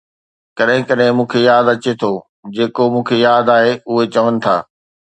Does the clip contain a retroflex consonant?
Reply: no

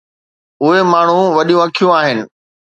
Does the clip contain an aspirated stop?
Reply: yes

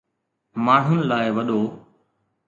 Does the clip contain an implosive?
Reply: yes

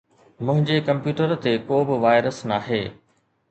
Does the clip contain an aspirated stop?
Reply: no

